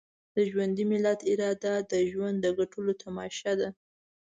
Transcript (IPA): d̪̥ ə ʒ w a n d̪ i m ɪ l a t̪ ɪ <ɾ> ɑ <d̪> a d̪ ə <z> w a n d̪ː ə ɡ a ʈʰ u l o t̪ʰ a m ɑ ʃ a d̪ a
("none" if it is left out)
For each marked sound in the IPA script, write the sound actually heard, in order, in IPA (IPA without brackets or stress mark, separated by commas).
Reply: ɾ, d̪, ʒ